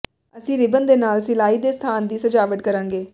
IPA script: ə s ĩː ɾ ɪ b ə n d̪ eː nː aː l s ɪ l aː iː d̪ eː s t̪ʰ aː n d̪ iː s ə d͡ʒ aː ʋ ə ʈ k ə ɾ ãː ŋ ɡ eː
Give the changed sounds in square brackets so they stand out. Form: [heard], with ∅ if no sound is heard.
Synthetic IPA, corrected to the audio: ə s ĩː ɾ ɪ b ə n d̪ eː [n] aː l s ɪ l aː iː d̪ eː s t̪ʰ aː n d̪ iː s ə d͡ʒ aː ʋ ə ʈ k ə ɾ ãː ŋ ɡ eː

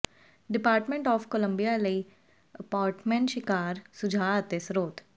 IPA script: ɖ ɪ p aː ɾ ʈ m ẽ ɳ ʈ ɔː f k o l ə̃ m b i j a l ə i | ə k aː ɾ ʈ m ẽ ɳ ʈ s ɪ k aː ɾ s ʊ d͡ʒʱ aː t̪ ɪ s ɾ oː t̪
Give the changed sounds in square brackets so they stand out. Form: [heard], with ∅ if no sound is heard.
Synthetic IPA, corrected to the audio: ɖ ɪ p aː ɾ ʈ m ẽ ɳ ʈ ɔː f k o l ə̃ m b i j a l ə i | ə [p] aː ɾ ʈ m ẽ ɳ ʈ [ʃ] ɪ k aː ɾ s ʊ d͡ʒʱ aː t̪ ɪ s ɾ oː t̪

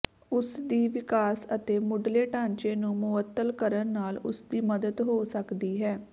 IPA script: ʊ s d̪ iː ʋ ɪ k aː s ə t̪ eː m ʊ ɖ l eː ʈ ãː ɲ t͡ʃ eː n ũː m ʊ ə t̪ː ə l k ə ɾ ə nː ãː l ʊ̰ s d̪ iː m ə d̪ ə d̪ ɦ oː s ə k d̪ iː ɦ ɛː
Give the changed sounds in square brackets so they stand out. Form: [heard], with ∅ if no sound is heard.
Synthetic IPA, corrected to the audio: ʊ s d̪ iː ʋ ɪ k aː s ə t̪ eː m ʊ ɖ l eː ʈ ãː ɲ t͡ʃ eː n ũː m ʊ ə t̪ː ə l k ə ɾ ə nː [aː] l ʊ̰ s d̪ iː m ə d̪ ə d̪ ɦ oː s ə k d̪ iː ɦ ɛː

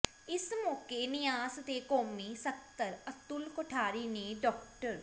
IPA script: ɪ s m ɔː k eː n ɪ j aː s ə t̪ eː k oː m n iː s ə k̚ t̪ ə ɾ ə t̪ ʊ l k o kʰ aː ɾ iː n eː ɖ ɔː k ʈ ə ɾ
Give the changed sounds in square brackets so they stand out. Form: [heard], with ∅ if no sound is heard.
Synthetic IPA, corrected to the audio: ɪ s m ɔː k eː n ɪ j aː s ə t̪ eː k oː m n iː s ə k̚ t̪ ə ɾ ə t̪ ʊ l k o [ʈʰ] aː ɾ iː n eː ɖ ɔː k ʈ ə ɾ

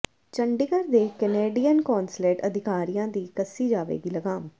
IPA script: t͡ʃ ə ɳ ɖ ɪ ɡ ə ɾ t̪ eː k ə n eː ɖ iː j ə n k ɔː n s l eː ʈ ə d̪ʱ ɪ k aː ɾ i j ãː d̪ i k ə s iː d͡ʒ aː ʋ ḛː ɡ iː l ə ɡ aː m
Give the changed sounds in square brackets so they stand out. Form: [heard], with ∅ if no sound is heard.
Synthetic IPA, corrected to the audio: t͡ʃ ə ɳ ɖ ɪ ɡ ə ɾ [d̪] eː k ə n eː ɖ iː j ə n k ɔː n s l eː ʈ ə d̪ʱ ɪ k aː ɾ i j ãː d̪ [iː] k ə s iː d͡ʒ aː ʋ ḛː ɡ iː l ə ɡ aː m

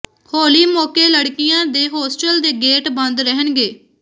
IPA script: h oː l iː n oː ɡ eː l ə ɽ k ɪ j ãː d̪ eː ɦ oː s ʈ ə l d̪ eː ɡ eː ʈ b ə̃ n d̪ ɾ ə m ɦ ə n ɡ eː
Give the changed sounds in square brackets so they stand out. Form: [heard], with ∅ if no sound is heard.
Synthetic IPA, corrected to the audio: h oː l iː [m] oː [k] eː l ə ɽ k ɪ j ãː d̪ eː ɦ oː s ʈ ə l d̪ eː ɡ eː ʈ b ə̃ n d̪ ɾ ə [∅] ɦ ə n ɡ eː

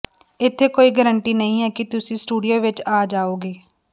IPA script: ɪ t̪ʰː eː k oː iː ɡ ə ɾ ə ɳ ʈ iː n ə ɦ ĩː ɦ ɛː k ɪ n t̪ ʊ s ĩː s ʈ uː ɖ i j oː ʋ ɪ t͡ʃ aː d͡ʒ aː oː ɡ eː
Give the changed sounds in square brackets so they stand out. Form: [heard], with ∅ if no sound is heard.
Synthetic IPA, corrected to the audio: ɪ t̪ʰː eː k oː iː ɡ ə ɾ ə ɳ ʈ iː n ə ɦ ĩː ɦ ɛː k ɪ [∅] t̪ ʊ s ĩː s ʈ uː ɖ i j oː ʋ ɪ t͡ʃ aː d͡ʒ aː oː ɡ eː

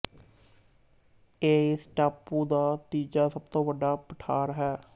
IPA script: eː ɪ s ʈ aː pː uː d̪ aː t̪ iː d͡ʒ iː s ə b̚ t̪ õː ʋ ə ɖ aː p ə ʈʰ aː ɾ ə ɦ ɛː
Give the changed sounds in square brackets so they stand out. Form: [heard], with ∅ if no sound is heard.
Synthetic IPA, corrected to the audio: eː ɪ s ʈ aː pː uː d̪ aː t̪ iː d͡ʒ [aː] s ə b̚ t̪ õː ʋ ə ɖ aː p ə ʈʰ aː ɾ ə ɦ ɛː

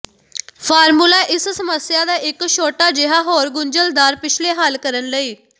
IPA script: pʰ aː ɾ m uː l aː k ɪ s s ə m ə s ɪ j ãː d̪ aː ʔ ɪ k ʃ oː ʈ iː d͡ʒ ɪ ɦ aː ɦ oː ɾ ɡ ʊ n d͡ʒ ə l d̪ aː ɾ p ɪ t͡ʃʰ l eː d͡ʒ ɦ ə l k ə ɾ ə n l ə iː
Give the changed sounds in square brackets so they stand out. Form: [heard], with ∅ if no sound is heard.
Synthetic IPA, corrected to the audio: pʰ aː ɾ m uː l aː [ʔ] ɪ s s ə m ə s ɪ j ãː d̪ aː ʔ ɪ k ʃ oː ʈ [aː] d͡ʒ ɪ ɦ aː ɦ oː ɾ ɡ ʊ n d͡ʒ ə l d̪ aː ɾ p ɪ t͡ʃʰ l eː [∅] ɦ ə l k ə ɾ ə n l ə iː

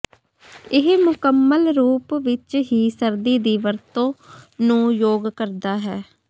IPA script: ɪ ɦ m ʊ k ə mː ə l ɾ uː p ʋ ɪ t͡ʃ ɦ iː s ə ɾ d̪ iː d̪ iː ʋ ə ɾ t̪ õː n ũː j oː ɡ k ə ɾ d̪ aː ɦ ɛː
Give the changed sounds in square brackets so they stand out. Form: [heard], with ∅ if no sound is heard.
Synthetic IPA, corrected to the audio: ɪ ɦ m ʊ k ə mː ə l ɾ uː p ʋ ɪ t͡ʃ ɦ iː s ə ɾ d̪ iː d̪ iː ʋ ə ɾ t̪ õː n ũː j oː ɡ k ə ɾ d̪ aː ɦ ɛː

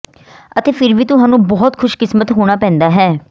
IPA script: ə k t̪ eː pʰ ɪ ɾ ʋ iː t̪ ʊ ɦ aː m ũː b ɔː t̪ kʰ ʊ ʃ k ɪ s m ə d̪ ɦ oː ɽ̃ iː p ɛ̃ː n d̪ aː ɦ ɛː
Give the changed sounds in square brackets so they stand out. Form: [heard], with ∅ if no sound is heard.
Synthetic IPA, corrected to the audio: ə [∅] t̪ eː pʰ ɪ ɾ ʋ iː t̪ ʊ ɦ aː [n] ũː b ɔː t̪ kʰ ʊ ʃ k ɪ s m ə [t̪] ɦ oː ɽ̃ [aː] p ɛ̃ː n d̪ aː ɦ ɛː

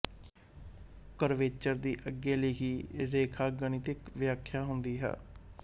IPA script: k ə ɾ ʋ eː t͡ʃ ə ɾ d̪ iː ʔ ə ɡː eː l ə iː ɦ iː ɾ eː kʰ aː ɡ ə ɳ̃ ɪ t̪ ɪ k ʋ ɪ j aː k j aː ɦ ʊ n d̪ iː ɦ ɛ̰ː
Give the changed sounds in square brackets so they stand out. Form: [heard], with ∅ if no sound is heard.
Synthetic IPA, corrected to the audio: k ə ɾ ʋ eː t͡ʃ ə ɾ d̪ iː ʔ ə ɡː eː l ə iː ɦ iː ɾ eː kʰ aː ɡ ə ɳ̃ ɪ t̪ ɪ k ʋ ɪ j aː [kʰ] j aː ɦ ʊ n d̪ iː ɦ ɛ̰ː

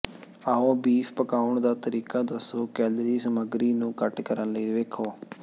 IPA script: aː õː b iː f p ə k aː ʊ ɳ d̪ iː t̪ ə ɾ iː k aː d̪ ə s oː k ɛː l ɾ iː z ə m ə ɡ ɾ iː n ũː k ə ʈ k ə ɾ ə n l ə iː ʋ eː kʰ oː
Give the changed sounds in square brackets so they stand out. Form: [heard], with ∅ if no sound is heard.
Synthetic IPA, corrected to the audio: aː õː b iː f p ə k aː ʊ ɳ d̪ [aː] t̪ ə ɾ iː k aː d̪ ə s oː k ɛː l ɾ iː [s] ə m ə ɡ ɾ iː n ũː k ə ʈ k ə ɾ ə n l ə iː ʋ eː kʰ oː

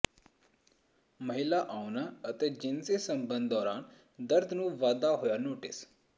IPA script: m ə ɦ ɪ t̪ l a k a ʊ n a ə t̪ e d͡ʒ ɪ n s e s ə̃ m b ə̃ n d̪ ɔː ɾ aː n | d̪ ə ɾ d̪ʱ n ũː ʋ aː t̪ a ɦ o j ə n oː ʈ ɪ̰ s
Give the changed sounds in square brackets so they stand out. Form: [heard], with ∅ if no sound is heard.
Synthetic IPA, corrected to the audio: m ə ɦ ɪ [∅] l a [ʔ] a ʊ n a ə t̪ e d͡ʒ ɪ n s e s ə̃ m b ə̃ n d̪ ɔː ɾ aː n | d̪ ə ɾ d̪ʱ n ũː ʋ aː [d̪] a ɦ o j [a] n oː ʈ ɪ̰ s

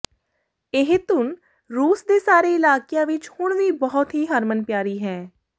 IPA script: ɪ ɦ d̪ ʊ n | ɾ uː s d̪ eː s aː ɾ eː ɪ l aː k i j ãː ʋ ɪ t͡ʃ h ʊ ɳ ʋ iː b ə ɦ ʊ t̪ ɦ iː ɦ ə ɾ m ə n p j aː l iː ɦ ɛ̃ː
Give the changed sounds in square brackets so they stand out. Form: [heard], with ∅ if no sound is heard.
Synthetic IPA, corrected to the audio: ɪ ɦ [t̪] ʊ n | ɾ uː s d̪ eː s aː ɾ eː ɪ l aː k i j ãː ʋ ɪ t͡ʃ h ʊ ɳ ʋ iː b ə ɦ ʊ t̪ ɦ iː ɦ ə ɾ m ə n p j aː [ɾ] iː ɦ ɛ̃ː

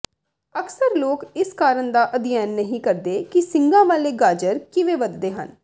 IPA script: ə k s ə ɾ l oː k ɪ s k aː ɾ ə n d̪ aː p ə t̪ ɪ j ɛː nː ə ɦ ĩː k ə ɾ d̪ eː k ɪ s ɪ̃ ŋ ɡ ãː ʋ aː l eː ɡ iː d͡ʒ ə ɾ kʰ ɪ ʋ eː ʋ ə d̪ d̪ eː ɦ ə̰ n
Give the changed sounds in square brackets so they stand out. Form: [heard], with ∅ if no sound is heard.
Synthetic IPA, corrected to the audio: ə k s ə ɾ l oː k ɪ s k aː ɾ ə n d̪ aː [ʔ] ə [d̪] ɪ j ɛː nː ə ɦ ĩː k ə ɾ d̪ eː k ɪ s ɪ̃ ŋ ɡ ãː ʋ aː l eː ɡ [aː] d͡ʒ ə ɾ [k] ɪ ʋ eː ʋ ə d̪ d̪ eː ɦ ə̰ n

